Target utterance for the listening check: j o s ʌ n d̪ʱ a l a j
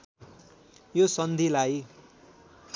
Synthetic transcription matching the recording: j o s ʌ n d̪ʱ i l a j